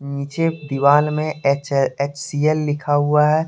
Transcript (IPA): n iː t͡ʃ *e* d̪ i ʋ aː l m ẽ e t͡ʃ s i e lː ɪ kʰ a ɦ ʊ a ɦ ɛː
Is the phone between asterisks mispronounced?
no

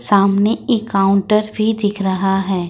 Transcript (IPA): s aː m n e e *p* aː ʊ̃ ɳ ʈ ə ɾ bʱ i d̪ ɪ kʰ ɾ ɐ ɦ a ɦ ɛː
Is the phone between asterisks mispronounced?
yes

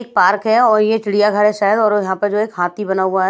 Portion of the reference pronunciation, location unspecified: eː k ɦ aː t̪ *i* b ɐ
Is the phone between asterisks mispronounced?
no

